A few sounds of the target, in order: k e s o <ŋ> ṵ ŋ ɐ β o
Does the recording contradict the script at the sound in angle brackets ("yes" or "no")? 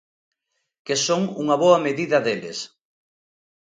no